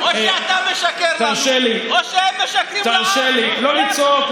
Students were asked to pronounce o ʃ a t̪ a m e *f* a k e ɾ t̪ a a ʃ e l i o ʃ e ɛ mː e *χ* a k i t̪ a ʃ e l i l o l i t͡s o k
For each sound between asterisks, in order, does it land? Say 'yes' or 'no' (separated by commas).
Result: no, no